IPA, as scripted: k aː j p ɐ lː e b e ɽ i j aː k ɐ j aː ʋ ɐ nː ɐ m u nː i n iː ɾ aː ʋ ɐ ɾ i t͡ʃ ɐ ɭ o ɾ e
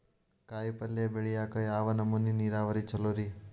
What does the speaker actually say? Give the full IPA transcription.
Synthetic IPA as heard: k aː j p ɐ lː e b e ɭ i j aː k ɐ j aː ʋ ɐ n ɐ m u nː i n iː ɾ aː ʋ ɐ ɾ i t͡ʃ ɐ l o ɾ i